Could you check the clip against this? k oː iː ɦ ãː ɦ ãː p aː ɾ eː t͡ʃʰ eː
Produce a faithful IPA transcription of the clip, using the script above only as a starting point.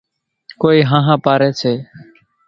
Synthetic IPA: k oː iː ɦ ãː ɦ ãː p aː ɾ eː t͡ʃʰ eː